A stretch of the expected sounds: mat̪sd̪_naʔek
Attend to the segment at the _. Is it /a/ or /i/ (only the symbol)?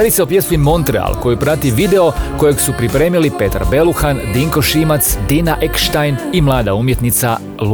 i